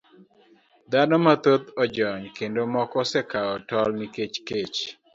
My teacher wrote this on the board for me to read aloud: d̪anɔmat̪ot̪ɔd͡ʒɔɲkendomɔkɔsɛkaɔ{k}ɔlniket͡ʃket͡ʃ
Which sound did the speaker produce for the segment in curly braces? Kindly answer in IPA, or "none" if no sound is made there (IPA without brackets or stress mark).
t